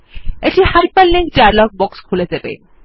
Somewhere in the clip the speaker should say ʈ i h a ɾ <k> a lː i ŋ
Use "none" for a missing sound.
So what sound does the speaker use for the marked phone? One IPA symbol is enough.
p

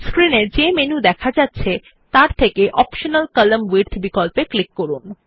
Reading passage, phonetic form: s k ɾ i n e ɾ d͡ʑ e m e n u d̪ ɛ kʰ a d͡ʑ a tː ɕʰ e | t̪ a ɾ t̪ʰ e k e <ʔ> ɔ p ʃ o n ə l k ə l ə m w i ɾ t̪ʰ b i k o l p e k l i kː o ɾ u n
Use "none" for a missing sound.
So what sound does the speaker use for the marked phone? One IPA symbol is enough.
ʔ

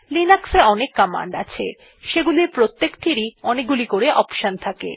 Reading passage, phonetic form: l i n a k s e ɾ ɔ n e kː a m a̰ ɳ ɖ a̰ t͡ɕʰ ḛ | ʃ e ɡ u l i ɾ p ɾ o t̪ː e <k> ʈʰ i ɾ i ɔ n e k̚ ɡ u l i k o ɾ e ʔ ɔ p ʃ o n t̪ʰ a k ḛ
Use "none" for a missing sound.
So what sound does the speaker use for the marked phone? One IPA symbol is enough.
k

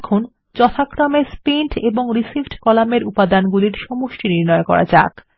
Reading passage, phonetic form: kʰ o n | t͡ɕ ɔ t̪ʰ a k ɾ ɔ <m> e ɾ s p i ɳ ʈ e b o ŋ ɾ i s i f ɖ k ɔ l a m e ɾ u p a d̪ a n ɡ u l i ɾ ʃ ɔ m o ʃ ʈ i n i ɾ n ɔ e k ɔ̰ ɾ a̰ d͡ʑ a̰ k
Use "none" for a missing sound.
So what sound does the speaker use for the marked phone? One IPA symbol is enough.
m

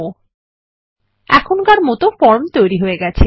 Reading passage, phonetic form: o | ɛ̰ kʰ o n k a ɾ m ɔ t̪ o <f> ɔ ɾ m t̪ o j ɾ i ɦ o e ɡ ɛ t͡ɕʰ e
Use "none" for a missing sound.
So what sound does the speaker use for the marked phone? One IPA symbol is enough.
f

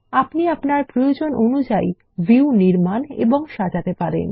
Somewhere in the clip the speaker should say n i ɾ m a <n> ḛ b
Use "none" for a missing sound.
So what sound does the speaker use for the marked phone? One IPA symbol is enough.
n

